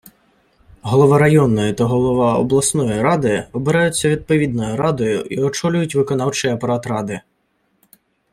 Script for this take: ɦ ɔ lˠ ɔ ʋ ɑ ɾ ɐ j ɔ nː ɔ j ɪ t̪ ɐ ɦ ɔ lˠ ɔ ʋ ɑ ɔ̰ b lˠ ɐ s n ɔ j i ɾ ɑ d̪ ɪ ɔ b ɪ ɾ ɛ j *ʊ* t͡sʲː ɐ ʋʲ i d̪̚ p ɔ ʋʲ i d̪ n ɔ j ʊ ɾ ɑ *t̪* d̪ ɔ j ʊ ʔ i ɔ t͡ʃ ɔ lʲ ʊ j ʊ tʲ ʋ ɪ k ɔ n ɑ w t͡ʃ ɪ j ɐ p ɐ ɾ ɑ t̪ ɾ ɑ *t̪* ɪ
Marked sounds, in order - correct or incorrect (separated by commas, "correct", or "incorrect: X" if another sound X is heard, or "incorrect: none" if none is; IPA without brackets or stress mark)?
correct, incorrect: none, incorrect: d̪